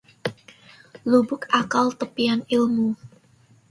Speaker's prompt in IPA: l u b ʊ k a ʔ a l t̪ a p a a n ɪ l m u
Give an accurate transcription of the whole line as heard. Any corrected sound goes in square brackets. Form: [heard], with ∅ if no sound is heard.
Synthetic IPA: l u b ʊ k a [k] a l t̪ [ə] p [i] a n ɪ l m u